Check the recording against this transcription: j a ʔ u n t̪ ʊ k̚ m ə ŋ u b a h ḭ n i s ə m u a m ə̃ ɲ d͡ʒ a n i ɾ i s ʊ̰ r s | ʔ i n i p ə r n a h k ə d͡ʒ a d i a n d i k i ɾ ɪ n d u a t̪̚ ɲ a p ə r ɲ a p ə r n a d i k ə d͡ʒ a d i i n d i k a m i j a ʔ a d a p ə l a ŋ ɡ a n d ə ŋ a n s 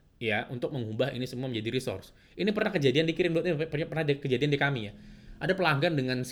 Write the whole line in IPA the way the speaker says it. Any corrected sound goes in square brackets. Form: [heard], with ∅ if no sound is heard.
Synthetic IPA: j a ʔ u n t̪ ʊ k̚ m ə ŋ u b a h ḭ n i s ə m u a m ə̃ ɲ d͡ʒ a [d] i ɾ i s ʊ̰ r s | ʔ i n i p ə r n a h k ə d͡ʒ a d i a n d i k i ɾ ɪ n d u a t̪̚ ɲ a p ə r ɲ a p ə r n a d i k ə d͡ʒ a d i [a] n d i k a m i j a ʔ a d a p ə l a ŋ ɡ a n d ə ŋ a n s